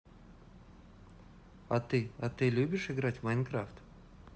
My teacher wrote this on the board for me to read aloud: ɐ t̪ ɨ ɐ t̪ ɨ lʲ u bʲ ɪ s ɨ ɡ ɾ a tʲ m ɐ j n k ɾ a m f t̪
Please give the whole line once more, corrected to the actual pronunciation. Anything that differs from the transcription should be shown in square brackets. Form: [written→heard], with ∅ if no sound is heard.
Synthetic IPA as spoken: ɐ t̪ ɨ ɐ t̪ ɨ lʲ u bʲ ɪ [s→ʂ] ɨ ɡ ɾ a tʲ m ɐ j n k ɾ a [m→∅] f t̪